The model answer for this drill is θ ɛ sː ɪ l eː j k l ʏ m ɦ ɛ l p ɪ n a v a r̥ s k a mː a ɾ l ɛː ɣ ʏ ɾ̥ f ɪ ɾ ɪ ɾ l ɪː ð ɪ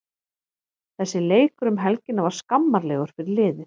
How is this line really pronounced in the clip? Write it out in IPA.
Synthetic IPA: θ ɛ sː ɪ l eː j k ɾ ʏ m ɦ ɛ l c ɪ n a v a ɾ̥ s k a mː a ɾ l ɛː ɣ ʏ ɾ̥ f ɪ ɾ ɪ ɾ l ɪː ð ɪ